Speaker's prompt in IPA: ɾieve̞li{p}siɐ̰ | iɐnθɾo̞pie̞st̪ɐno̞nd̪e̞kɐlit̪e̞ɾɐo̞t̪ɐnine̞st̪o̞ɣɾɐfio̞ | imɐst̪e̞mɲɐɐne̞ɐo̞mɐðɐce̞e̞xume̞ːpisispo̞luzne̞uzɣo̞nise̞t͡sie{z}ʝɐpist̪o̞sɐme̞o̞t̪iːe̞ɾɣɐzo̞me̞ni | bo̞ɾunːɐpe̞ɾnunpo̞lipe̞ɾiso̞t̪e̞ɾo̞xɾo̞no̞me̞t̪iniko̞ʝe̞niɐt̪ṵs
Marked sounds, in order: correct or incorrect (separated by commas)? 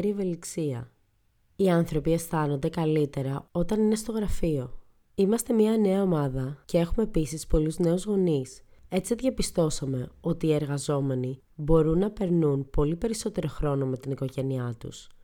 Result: incorrect, incorrect